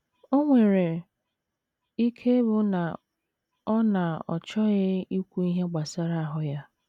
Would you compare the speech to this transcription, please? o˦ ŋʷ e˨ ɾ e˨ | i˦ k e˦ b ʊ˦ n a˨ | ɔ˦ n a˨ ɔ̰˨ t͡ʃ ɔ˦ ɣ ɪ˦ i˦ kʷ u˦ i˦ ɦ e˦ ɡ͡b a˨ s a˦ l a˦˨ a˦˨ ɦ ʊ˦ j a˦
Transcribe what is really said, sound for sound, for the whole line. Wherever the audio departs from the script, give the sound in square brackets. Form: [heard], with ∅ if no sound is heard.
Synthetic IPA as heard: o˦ ŋʷ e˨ ɾ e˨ | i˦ [kʰ] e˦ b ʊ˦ n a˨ | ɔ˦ n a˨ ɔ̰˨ t͡ʃ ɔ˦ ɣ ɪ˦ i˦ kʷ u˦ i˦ ɦ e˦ ɡ͡b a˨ s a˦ [ɾ] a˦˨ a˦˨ ɦ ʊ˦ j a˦

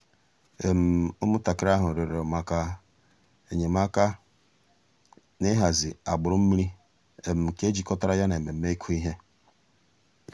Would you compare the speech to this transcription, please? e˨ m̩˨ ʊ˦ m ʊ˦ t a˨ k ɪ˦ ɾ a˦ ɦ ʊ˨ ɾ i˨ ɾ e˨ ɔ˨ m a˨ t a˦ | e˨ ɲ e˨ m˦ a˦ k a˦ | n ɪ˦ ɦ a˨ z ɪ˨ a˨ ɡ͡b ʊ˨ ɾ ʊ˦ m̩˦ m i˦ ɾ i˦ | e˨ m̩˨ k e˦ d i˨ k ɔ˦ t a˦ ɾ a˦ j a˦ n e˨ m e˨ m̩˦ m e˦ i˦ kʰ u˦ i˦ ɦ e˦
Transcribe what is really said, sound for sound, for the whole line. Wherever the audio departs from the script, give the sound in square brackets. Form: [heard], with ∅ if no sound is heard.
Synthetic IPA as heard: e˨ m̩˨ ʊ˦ m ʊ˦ t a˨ k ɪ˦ ɾ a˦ ɦ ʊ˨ ɾ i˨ ɾ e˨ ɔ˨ m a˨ [k] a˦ | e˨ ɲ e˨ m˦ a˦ k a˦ | n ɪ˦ ɦ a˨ z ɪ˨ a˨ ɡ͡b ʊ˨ ɾ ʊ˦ m̩˦ m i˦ ɾ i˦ | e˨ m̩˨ k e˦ [d͡ʒ] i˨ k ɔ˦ t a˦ ɾ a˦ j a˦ n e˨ m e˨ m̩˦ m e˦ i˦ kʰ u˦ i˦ ɦ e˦

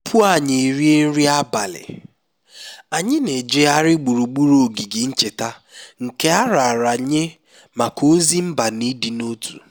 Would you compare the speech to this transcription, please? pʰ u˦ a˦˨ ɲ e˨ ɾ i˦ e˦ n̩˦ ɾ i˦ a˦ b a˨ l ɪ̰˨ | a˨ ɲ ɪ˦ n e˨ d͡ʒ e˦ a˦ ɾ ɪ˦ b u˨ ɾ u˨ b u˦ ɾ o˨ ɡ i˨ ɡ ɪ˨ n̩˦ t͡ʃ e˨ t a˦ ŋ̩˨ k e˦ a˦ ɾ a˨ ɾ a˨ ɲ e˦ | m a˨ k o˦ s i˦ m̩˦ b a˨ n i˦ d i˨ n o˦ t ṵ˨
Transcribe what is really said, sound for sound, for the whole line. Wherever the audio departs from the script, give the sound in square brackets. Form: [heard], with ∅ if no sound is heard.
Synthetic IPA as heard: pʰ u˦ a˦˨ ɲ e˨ ɾ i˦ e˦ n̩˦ ɾ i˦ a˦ b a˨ l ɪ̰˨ | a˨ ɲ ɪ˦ n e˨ d͡ʒ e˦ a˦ ɾ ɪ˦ [ɡ͡b] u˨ ɾ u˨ [ɡ͡b] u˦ ɾ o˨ ɡ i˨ ɡ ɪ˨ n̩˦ t͡ʃ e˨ t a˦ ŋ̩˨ k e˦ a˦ ɾ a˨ ɾ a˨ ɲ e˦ | m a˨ k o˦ [z] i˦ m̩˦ b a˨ n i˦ d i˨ n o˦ t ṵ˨

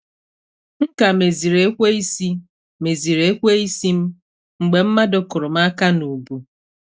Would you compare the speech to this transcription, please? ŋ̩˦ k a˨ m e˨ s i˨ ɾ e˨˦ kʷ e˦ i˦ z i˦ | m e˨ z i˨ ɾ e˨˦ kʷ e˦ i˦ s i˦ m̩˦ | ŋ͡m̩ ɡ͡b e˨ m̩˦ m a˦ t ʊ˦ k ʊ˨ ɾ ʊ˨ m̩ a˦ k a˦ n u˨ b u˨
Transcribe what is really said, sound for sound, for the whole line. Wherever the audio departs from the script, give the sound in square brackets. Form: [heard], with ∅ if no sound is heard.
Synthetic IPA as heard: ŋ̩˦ k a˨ m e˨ [z] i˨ ɾ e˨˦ kʷ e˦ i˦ [s] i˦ | m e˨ z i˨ ɾ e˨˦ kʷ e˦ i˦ s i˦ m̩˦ | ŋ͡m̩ ɡ͡b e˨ m̩˦ m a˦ [d] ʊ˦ k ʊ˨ ɾ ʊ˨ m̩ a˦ k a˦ n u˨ b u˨

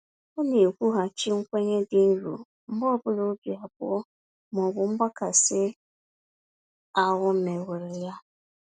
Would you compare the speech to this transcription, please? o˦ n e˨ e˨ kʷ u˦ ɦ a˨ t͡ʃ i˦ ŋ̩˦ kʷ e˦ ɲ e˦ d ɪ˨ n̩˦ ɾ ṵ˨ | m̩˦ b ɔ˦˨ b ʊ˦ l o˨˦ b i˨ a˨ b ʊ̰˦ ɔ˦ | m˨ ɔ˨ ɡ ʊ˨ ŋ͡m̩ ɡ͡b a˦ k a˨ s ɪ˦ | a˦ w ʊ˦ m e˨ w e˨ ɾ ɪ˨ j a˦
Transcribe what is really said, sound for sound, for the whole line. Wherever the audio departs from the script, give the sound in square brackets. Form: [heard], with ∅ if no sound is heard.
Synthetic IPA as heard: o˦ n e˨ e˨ kʷ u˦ ɦ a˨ t͡ʃ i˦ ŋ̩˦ kʷ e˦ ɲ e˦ d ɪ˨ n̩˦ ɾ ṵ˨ | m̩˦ b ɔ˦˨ b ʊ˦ l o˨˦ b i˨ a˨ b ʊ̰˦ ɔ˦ | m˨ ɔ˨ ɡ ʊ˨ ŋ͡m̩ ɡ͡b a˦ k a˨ s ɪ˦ | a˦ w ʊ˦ m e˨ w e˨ ɾ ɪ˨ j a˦

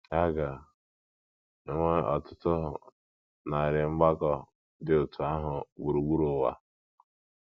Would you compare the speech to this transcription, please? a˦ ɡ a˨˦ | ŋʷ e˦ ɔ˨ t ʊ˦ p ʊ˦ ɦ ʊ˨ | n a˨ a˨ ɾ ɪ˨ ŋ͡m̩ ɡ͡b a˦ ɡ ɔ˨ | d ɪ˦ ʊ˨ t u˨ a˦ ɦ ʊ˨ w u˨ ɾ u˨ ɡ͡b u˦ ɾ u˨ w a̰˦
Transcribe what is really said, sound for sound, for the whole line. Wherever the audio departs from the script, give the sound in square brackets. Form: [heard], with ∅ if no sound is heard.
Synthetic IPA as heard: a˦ ɡ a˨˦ | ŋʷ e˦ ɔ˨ t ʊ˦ [t] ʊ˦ ɦ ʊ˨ | n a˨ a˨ ɾ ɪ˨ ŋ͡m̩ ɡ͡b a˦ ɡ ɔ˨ | d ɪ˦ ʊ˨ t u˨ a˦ ɦ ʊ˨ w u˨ ɾ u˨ ɡ͡b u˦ ɾ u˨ w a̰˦

